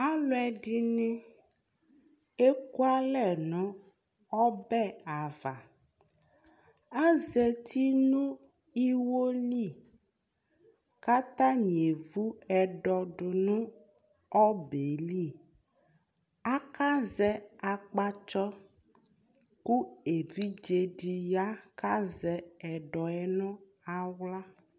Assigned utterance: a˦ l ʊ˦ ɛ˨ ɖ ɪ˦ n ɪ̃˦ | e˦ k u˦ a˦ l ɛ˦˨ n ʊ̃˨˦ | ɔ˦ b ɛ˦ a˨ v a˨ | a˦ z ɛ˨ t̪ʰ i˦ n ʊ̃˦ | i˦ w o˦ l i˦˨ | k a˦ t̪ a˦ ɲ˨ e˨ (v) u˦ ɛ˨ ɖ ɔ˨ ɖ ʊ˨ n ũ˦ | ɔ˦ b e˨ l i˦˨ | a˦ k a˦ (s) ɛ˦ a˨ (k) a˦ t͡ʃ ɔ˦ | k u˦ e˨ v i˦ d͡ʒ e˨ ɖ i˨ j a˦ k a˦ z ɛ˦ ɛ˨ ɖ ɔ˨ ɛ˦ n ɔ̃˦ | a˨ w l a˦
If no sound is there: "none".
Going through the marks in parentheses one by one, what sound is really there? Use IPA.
v, z, k͡p

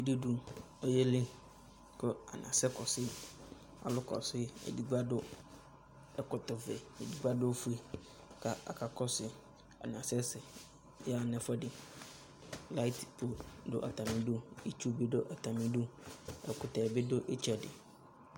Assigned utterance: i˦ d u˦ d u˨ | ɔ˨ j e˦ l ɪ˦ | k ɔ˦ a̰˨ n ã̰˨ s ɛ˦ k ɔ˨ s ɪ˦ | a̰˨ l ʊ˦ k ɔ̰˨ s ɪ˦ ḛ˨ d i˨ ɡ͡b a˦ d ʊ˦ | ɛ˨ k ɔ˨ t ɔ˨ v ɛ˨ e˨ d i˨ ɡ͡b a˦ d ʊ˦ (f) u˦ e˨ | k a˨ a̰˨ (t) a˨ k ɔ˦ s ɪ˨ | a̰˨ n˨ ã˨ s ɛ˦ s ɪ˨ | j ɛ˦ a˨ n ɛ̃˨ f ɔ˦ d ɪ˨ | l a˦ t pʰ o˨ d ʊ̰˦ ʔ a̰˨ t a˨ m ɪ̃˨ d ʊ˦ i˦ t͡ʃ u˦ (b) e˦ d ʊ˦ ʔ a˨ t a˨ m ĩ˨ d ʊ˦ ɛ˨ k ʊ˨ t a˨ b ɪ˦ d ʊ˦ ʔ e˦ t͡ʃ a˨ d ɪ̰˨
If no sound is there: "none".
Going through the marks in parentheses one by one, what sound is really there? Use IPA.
f, k, b

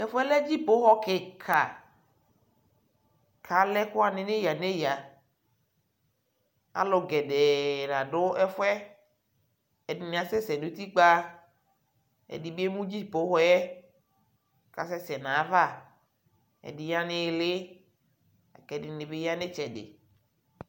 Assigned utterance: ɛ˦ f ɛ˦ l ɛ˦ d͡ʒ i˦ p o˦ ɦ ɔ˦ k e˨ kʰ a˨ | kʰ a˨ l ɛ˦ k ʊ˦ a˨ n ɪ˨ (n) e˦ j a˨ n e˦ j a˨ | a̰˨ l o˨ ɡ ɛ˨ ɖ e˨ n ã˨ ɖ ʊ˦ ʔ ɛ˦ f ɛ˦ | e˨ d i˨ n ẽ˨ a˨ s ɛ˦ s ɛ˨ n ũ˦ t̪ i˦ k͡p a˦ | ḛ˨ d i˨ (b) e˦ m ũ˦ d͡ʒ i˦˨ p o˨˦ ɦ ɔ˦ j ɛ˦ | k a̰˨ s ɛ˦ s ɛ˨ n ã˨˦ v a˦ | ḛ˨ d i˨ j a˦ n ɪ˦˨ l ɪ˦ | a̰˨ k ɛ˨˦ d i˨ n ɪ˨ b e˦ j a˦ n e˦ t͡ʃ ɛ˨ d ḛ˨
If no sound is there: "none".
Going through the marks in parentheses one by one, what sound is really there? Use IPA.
n, b

